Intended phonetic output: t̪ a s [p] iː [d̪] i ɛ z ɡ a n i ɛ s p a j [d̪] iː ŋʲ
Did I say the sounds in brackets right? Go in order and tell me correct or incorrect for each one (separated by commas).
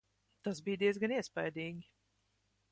incorrect, correct, correct